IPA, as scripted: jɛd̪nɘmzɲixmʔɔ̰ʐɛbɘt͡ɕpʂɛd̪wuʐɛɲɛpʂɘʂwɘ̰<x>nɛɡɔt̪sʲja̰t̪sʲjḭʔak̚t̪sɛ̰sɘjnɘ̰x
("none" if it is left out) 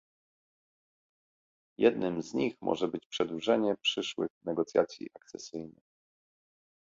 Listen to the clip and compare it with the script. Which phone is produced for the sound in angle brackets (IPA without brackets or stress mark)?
x